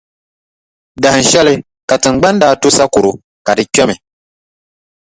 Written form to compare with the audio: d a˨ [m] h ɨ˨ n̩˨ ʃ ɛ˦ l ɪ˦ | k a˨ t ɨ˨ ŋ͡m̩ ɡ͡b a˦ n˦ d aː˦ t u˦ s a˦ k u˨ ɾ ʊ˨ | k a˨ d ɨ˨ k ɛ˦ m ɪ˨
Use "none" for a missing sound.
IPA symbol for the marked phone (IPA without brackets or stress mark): none